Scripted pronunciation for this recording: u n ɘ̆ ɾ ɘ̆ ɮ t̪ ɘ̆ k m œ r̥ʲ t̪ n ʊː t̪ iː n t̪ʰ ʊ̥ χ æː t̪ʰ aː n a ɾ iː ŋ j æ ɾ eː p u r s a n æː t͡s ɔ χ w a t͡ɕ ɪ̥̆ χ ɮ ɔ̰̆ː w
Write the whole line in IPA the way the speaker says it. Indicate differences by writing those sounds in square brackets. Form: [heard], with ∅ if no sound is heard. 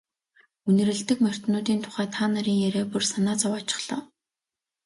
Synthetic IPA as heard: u n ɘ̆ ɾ ɘ̆ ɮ t̪ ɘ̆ k m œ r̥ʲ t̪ n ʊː t̪ iː n t̪ʰ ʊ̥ χ æː t̪ʰ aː n a ɾ iː ŋ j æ ɾ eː p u r s a n [aː] t͡s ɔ [∅] w a t͡ɕ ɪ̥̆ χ ɮ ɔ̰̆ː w